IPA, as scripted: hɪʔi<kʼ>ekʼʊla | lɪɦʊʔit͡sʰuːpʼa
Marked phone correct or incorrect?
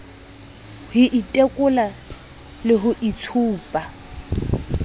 incorrect